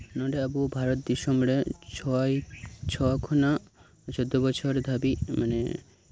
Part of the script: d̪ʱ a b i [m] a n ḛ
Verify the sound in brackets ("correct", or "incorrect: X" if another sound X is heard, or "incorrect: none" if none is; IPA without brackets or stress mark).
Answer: correct